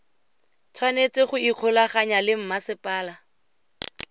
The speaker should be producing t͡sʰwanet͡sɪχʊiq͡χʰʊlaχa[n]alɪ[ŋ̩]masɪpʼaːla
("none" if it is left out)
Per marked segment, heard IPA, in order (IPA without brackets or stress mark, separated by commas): ɲ, m̩